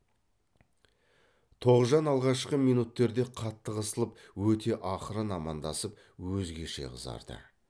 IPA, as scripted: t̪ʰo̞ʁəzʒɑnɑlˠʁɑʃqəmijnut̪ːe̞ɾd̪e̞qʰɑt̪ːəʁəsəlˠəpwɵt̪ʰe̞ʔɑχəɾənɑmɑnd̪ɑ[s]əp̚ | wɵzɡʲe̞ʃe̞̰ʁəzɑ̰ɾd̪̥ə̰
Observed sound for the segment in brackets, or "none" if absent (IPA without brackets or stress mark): s